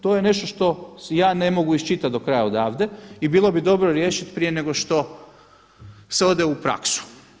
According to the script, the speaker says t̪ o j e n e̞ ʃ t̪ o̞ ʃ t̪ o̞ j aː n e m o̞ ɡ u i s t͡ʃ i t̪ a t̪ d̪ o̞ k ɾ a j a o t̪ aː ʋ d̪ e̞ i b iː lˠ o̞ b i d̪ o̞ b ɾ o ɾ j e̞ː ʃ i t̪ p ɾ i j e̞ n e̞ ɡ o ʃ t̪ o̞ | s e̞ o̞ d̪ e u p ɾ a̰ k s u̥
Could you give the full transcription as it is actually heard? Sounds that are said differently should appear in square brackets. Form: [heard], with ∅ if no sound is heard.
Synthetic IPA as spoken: t̪ o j e n e̞ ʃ t̪ o̞ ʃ t̪ o̞ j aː n e m o̞ ɡ u i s t͡ʃ i t̪ a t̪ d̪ o̞ k ɾ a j a o [d̪] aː ʋ d̪ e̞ i b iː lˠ o̞ b i d̪ o̞ b ɾ o ɾ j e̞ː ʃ i t̪ p ɾ i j e̞ n e̞ ɡ o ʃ t̪ o̞ | s e̞ o̞ d̪ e u p ɾ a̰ k s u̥

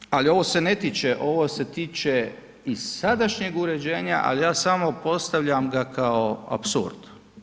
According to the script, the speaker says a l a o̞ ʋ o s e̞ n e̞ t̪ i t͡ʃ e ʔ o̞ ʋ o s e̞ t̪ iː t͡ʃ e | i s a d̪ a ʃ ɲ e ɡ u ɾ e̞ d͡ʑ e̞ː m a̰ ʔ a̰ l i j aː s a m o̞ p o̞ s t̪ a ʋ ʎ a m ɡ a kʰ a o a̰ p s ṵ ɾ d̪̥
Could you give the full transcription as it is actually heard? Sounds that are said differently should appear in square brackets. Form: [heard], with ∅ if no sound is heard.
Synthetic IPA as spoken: a l [i] o̞ ʋ o s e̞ n e̞ t̪ i t͡ʃ e ʔ o̞ ʋ o s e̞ t̪ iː t͡ʃ e | i s a d̪ a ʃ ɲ e ɡ u ɾ e̞ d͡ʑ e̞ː [ɲ] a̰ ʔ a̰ l i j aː s a m o̞ p o̞ s t̪ a ʋ ʎ a m ɡ a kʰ a o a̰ p s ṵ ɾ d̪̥

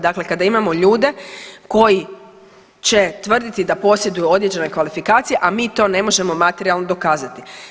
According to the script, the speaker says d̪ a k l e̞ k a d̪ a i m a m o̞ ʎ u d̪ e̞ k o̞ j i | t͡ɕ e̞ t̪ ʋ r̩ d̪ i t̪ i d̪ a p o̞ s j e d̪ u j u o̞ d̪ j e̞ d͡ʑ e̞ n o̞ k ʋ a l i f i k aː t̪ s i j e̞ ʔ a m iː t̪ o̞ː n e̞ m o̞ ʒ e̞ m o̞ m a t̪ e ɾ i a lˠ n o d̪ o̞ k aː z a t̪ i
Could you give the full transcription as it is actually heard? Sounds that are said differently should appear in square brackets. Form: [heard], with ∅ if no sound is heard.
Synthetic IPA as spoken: d̪ a k l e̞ k a d̪ a i m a m o̞ ʎ [uː] d̪ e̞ k o̞ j i | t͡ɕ e̞ t̪ ʋ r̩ d̪ i t̪ i d̪ a p o̞ s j e d̪ u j u o̞ d̪ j e̞ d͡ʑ e̞ n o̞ k ʋ a l i f i k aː t̪ s i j e̞ ʔ a m iː t̪ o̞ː n e̞ m o̞ ʒ e̞ m o̞ m a t̪ e ɾ i a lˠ n o d̪ o̞ k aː z a t̪ i

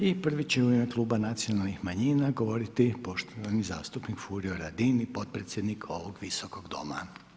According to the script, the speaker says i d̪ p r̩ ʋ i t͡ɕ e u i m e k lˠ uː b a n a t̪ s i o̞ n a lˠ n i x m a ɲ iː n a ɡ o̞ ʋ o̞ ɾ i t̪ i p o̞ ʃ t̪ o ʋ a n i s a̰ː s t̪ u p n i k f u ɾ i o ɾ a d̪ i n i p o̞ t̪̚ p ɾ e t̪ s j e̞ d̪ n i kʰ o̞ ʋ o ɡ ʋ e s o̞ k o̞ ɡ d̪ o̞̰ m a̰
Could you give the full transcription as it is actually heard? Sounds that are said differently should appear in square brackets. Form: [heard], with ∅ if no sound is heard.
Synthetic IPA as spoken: i [∅] p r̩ ʋ i t͡ɕ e u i m e k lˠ uː b a n a t̪ s i o̞ n a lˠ n i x m a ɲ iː n a ɡ o̞ ʋ o̞ ɾ i t̪ i p o̞ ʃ t̪ o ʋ a n i [z] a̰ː s t̪ u p n i k f u ɾ i o ɾ a d̪ i n i p o̞ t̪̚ p ɾ e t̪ s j e̞ d̪ n i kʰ o̞ ʋ o ɡ ʋ [i] s o̞ k o̞ ɡ d̪ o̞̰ m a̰

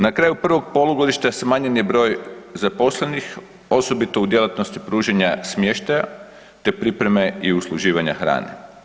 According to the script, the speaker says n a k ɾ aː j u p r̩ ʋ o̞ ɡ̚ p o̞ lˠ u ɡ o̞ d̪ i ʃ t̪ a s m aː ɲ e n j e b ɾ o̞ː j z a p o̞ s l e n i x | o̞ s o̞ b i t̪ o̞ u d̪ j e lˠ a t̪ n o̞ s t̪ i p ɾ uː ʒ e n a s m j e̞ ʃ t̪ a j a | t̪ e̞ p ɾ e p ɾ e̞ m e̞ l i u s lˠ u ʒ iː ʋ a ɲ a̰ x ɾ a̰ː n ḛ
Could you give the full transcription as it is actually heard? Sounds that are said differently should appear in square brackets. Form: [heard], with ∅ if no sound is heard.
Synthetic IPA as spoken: n a k ɾ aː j u p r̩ ʋ o̞ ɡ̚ p o̞ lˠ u ɡ o̞ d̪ i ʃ t̪ a s m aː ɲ e n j e b ɾ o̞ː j z a p o̞ s l e n i x | o̞ s o̞ b i t̪ o̞ u d̪ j e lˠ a t̪ n o̞ s t̪ i p ɾ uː ʒ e [ɲ] a s m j e̞ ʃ t̪ a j a | t̪ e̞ p ɾ [i] p ɾ e̞ m e̞ [∅] i u s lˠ u ʒ iː ʋ a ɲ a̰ x ɾ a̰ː n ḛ

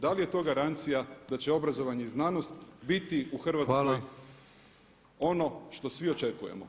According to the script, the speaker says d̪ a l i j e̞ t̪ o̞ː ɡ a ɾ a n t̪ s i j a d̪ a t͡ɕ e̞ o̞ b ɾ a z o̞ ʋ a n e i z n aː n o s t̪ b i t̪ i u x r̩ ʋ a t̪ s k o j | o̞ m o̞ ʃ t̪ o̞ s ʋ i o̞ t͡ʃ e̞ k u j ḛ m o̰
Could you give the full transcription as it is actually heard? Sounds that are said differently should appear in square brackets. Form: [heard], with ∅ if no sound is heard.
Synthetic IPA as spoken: d̪ a l i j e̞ t̪ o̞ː ɡ a ɾ a n t̪ s i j a d̪ a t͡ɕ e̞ o̞ b ɾ a z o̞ ʋ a [ɲ] e i z n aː n o s t̪ b i t̪ i u x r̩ ʋ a t̪ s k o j | o̞ [n] o̞ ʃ t̪ o̞ s ʋ i o̞ t͡ʃ e̞ k u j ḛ m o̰

